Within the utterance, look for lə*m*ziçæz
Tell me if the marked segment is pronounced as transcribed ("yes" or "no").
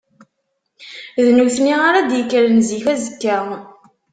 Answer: no